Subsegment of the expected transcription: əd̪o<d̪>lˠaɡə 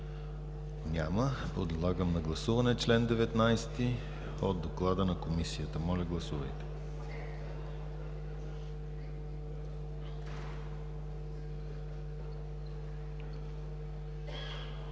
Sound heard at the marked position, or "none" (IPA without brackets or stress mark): d̪